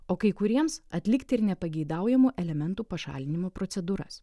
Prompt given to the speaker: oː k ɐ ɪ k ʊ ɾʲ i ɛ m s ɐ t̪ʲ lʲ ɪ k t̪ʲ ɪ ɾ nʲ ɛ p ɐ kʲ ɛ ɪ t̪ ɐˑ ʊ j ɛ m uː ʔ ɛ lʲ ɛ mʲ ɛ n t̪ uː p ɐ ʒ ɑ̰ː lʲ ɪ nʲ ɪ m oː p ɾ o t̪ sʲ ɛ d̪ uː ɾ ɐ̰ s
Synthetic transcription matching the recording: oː k ɐ ɪ k ʊ ɾʲ i ɛ m s ɐ t̪ʲ lʲ ɪ k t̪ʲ ɪ ɾ nʲ ɛ p ɐ ɡʲ ɛ ɪ d̪ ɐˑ ʊ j ɛ m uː ʔ ɛ lʲ ɛ mʲ ɛ n t̪ uː p ɐ ʃ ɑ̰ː lʲ ɪ nʲ ɪ m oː p ɾ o t̪ sʲ ɛ d̪ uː ɾ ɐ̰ s